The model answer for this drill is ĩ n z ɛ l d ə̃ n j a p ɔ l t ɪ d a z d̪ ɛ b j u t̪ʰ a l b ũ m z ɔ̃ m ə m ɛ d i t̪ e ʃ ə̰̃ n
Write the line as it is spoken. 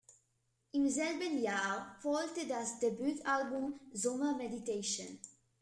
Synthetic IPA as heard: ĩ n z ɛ l b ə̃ n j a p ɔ l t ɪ d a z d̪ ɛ b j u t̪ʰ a l b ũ m z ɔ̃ m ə m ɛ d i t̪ e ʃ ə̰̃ n

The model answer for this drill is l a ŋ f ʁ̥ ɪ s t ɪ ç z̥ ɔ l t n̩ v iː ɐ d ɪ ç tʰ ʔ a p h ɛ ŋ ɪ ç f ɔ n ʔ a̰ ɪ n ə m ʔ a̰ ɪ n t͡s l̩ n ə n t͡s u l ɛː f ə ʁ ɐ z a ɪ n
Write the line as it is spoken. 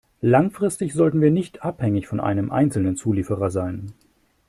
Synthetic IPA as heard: l a ŋ f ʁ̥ ɪ s t ɪ ç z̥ ɔ l t n̩ v iː ɐ n ɪ ç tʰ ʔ a p h ɛ ŋ ɪ ç f ɔ n ʔ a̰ ɪ n ə m ʔ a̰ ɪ n t͡s l̩ n ə n t͡s uː l iː f ə ʁ ɐ z a ɪ n

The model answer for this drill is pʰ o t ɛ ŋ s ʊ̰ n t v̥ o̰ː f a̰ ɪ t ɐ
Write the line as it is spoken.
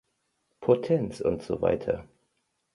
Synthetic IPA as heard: pʰ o tʰ ɛ n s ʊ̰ n t z̥ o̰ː v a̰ ɪ tʰ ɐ

